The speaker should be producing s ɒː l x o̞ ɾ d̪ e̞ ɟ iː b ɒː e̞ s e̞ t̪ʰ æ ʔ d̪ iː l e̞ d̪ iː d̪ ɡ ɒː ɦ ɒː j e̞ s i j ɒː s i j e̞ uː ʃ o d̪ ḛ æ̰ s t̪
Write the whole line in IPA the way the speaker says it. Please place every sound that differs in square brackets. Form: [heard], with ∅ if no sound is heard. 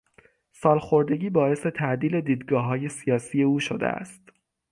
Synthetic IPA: s ɒː l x o̞ ɾ d̪ e̞ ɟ iː b ɒː e̞ s e̞ t̪ʰ æ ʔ d̪ iː l e̞ d̪ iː d̪ ɡ ɒː ɦ ɒː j e̞ s i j ɒː s i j e̞ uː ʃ o d̪ ḛ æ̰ s t̪

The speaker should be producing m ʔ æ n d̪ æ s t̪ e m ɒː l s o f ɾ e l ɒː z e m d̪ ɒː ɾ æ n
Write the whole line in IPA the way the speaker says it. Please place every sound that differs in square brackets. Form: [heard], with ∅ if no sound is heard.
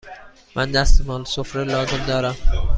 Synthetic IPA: m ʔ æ n d̪ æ s t̪ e m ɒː l s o f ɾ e l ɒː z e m d̪ ɒː ɾ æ [m]

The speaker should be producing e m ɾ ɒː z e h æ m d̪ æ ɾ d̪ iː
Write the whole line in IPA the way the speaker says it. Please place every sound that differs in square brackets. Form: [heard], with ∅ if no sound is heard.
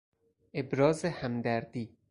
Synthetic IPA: e [b] ɾ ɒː z e h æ m d̪ æ ɾ d̪ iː

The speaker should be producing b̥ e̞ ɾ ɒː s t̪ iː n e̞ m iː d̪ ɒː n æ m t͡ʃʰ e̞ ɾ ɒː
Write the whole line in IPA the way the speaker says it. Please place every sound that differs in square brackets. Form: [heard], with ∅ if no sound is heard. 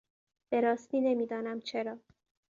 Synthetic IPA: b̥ e̞ ɾ ɒː s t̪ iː n e̞ m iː d̪ ɒː n æ m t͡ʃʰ e̞ ɾ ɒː

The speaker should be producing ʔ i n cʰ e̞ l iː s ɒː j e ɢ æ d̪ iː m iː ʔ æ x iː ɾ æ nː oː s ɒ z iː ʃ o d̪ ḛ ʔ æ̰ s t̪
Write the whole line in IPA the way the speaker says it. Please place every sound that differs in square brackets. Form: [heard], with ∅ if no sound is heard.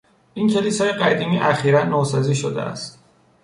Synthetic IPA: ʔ i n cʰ e̞ l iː s ɒː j e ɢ æ d̪ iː m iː ʔ æ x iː ɾ æ nː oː s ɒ z iː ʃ o d̪ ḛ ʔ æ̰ s t̪

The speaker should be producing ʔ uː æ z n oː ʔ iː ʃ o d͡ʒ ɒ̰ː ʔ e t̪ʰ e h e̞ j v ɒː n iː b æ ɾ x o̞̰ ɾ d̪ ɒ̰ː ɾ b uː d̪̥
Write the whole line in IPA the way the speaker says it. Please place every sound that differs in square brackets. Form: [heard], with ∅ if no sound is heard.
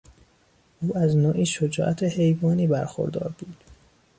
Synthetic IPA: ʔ uː æ z n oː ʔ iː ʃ o d͡ʒ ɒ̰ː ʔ [æ] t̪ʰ e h e̞ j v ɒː n iː b æ ɾ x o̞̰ ɾ d̪ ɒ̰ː ɾ b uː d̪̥

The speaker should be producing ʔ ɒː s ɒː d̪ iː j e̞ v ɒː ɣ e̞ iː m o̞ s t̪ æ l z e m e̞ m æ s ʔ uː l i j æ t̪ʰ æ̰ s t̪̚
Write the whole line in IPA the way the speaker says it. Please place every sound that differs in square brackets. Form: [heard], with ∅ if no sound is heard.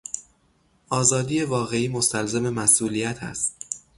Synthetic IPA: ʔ ɒː [z] ɒː d̪ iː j e̞ v ɒː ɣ e̞ iː m o̞ s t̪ æ l z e m e̞ m æ s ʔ uː l i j æ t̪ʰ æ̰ s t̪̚

